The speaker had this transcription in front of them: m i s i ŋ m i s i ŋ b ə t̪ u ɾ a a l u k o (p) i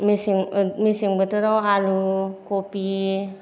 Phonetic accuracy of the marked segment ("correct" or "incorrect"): correct